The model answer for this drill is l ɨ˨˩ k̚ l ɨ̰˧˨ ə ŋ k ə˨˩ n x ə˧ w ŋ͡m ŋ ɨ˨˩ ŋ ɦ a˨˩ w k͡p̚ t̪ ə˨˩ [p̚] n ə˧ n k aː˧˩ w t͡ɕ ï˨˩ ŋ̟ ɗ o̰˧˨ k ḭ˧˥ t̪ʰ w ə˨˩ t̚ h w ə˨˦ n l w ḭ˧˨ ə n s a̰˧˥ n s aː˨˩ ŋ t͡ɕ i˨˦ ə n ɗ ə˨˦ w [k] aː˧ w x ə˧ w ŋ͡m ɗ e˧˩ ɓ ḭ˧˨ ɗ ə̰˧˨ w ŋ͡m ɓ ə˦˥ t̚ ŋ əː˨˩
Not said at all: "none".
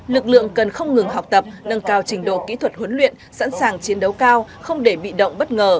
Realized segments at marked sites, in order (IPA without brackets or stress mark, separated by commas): p̚, k